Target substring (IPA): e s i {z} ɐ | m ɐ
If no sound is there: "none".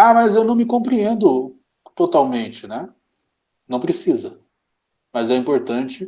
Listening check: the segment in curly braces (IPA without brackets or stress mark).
z